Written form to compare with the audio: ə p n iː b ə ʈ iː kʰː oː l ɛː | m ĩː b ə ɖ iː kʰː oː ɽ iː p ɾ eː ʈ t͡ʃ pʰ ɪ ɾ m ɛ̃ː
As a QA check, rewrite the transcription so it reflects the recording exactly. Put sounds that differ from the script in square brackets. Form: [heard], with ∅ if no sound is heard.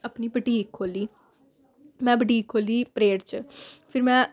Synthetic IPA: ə p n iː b ə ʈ iː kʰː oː l [iː] | m [ɛ̃ː] b ə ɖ iː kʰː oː [l] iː p ɾ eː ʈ t͡ʃ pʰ ɪ ɾ m ɛ̃ː

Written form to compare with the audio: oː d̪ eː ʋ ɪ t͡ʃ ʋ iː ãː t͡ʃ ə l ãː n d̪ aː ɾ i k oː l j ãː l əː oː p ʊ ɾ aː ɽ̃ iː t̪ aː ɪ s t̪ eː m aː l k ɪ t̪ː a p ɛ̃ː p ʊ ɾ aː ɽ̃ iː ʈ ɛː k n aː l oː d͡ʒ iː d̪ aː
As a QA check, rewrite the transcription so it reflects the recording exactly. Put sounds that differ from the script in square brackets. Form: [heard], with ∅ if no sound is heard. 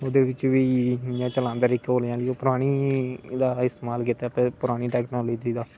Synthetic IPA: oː d̪ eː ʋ ɪ t͡ʃ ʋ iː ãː t͡ʃ ə l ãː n d̪ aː ɾ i k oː l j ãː l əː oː p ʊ ɾ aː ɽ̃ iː [d̪] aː ɪ s t̪ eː m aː l k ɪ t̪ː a p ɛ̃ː p ʊ ɾ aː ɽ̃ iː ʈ ɛː k n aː l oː d͡ʒ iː d̪ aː

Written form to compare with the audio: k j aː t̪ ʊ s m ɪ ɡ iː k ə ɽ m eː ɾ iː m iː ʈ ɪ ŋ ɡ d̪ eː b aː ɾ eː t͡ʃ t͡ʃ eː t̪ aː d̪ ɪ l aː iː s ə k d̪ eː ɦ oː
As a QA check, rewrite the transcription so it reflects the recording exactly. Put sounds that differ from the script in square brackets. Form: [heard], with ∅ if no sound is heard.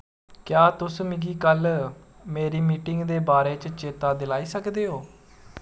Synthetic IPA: k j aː t̪ ʊ s m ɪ ɡ iː k ə [l] m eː ɾ iː m iː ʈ ɪ ŋ ɡ d̪ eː b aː ɾ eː t͡ʃ t͡ʃ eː t̪ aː d̪ ɪ l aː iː s ə k d̪ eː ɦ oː

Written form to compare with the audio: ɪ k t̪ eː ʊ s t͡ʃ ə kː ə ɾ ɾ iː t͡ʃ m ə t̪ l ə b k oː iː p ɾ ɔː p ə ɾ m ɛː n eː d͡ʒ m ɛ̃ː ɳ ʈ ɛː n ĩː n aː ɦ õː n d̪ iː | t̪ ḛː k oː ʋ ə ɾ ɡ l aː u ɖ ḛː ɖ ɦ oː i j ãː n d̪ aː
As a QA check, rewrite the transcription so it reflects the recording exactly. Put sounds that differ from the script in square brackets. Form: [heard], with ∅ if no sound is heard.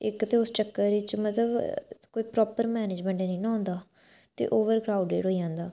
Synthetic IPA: ɪ k t̪ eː ʊ s t͡ʃ ə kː ə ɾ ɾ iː t͡ʃ m ə t̪ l ə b k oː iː p ɾ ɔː p ə ɾ m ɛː n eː d͡ʒ m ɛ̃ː ɳ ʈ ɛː n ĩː n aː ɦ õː n d̪ [aː] | t̪ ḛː [ʔ] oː ʋ ə ɾ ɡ [ɾ] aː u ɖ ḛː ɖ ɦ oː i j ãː n d̪ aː

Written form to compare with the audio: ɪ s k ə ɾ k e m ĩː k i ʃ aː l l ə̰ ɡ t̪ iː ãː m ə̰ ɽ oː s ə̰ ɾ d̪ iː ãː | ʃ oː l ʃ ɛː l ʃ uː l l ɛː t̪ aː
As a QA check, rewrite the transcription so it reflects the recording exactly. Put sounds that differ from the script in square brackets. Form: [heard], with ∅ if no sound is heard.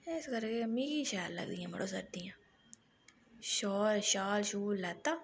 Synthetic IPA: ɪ s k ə ɾ k e m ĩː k i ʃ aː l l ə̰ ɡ [d̪] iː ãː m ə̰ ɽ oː s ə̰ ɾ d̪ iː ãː | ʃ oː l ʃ [aː] l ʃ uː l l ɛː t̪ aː

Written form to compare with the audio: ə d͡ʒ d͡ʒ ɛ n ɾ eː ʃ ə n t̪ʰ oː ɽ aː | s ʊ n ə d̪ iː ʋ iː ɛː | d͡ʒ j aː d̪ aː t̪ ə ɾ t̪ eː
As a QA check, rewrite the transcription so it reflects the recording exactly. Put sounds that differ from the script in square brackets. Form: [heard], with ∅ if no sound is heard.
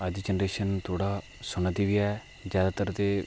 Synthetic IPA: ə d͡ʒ d͡ʒ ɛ n ɾ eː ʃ ə n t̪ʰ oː ɽ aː | s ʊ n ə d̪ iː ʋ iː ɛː | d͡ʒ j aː d̪ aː t̪ ə ɾ t̪ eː

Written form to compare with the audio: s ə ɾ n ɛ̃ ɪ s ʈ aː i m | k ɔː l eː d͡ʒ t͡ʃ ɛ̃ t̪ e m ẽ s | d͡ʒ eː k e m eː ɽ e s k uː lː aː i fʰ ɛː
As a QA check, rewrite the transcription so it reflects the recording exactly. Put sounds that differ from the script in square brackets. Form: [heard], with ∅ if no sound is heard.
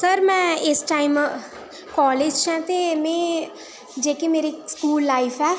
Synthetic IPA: s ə ɾ [m] ɛ̃ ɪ s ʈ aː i m | k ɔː l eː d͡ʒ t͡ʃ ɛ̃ t̪ e m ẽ [∅] | d͡ʒ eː k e m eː [ɾ] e s k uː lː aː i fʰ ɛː

